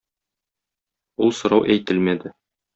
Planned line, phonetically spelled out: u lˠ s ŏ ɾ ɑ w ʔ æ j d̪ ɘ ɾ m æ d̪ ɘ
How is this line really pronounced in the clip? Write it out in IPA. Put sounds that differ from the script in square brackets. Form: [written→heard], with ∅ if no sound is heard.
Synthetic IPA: u lˠ s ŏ ɾ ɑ w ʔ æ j [d̪→t̪] ɘ [ɾ→l] m æ d̪ ɘ